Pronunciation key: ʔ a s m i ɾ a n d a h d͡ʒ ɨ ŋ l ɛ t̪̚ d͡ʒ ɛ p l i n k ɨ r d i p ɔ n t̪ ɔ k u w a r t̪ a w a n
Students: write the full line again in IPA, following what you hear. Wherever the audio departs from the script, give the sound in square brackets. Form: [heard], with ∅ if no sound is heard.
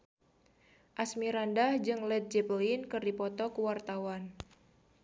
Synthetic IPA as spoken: ʔ a s m i ɾ a n d a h d͡ʒ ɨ ŋ l ɛ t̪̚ d͡ʒ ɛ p l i n k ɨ r d i p ɔ [∅] t̪ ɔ k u w a r t̪ a w a n

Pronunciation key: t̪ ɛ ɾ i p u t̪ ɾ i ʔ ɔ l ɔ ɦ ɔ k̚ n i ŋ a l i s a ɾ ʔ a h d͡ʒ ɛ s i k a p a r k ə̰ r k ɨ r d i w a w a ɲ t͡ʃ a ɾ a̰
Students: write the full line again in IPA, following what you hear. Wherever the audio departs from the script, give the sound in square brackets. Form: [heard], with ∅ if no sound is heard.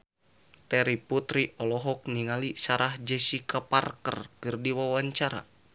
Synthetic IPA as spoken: t̪ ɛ ɾ i p u t̪ ɾ i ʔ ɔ l ɔ ɦ ɔ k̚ n i ŋ a l i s a ɾ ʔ a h d͡ʒ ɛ s i k a p a r k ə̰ r k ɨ r d i w a w a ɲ t͡ʃ a ɾ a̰

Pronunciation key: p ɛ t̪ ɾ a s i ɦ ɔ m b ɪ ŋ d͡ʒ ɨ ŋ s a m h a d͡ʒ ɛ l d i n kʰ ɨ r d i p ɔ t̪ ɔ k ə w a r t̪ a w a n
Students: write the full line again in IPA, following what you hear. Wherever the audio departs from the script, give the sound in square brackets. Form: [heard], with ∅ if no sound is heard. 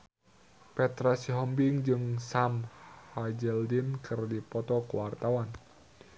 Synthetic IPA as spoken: p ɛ t̪ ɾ a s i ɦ ɔ m b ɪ ŋ d͡ʒ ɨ ŋ s a m h a d͡ʒ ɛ l d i n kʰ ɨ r d i p ɔ t̪ ɔ k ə w a r t̪ a w a n

